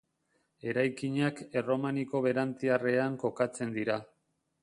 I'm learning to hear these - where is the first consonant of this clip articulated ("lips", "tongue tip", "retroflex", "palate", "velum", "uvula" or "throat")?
tongue tip